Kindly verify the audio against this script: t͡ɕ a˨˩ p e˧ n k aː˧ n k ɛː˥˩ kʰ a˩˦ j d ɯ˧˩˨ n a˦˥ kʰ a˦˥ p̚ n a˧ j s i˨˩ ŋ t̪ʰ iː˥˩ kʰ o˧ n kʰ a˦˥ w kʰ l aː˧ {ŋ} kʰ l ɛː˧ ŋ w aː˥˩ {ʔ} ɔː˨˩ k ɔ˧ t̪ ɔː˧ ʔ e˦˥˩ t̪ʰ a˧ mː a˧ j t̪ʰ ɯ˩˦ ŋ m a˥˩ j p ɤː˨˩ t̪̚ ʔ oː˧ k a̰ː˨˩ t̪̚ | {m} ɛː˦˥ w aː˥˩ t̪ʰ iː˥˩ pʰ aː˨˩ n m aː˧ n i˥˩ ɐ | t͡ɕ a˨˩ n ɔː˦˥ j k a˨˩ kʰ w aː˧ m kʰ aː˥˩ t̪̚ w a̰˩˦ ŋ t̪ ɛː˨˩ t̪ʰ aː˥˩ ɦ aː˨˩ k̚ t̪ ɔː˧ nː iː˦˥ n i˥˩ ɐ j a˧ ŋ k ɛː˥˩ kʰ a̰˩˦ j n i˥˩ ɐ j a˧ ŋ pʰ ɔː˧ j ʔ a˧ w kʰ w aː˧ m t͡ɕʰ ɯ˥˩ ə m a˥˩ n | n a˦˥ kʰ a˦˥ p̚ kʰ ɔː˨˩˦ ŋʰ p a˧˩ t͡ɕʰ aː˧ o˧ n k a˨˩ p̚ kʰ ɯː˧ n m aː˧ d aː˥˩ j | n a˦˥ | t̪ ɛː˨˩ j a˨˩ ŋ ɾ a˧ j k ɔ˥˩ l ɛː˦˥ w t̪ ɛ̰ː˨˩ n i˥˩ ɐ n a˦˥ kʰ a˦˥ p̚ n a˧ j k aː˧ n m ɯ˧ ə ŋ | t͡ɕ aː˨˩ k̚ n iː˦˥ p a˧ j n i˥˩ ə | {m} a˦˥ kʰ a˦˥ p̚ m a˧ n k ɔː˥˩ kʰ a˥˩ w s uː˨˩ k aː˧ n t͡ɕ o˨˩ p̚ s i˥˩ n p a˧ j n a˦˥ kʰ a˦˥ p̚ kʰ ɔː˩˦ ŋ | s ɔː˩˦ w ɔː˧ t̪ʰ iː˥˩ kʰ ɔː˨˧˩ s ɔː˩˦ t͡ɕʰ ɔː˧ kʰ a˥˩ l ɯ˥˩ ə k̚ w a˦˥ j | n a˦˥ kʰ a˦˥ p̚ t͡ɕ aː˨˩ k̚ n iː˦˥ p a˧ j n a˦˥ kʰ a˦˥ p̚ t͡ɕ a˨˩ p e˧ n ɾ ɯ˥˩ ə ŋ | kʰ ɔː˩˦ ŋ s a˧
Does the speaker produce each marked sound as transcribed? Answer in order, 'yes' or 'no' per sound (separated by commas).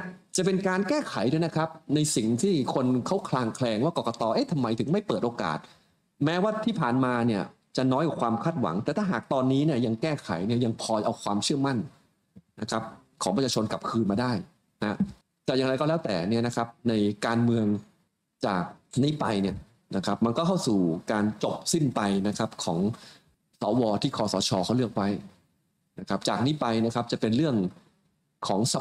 yes, no, yes, no